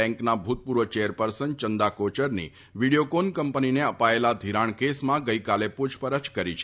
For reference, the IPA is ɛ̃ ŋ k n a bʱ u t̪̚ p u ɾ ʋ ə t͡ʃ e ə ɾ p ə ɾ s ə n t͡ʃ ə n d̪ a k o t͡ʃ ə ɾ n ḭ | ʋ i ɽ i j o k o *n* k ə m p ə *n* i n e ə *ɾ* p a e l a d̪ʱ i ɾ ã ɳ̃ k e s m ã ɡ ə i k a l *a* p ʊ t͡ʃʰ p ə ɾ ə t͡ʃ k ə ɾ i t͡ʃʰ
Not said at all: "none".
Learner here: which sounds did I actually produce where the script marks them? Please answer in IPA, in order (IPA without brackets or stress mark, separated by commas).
n, n, none, e